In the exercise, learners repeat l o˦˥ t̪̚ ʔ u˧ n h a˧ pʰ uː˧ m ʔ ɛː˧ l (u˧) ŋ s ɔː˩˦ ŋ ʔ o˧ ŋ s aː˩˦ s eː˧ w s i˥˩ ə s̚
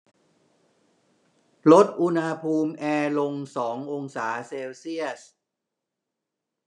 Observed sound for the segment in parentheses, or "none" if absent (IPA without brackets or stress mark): o˧